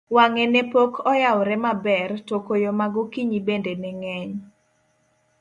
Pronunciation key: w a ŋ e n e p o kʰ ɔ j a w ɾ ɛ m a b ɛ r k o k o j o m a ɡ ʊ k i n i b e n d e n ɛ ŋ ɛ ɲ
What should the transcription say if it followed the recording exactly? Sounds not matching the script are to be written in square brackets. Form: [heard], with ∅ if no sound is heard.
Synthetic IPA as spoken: w a ŋ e n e p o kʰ ɔ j a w ɾ ɛ m a b ɛ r [t] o k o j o m a ɡ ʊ k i [ɲ] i b e n d e n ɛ ŋ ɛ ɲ